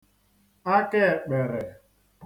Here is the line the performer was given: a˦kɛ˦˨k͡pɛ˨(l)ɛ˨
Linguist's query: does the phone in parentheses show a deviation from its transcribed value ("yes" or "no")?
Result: yes